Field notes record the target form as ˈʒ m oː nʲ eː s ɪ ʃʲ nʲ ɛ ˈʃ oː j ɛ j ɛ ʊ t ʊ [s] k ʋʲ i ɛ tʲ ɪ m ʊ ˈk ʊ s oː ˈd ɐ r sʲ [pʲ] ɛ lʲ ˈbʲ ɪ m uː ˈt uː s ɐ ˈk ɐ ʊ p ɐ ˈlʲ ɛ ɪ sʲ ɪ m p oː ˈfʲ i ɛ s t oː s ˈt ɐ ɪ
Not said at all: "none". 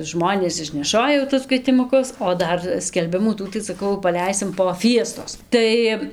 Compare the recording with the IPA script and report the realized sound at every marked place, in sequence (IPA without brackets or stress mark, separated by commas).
s, kʲ